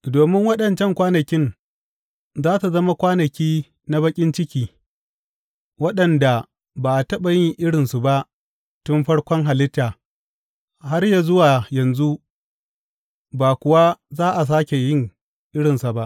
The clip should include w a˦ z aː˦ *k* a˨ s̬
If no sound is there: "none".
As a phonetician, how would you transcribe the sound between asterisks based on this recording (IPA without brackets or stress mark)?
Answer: ʔ